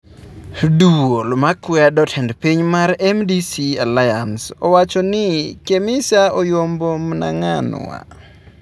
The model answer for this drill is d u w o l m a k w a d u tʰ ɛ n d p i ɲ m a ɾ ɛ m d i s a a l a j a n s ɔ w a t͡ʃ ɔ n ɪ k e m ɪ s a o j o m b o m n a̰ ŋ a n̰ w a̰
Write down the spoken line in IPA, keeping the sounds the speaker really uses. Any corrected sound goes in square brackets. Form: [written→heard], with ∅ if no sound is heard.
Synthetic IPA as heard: d u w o l m a k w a d [u→ɔ] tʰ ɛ n d p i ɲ m a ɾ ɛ m d i s [a→i] a l a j a n s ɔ w a t͡ʃ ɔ n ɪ k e m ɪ s a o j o m b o m n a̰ ŋ a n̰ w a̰